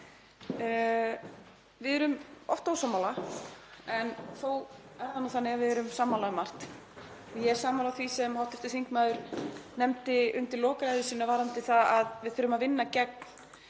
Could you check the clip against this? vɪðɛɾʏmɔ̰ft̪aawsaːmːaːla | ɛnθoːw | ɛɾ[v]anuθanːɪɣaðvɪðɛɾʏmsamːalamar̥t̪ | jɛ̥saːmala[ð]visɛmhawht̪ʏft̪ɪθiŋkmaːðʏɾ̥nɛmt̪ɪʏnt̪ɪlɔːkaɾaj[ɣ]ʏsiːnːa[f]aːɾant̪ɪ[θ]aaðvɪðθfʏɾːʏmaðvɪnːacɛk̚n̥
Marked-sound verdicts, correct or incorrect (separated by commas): incorrect, incorrect, incorrect, incorrect, correct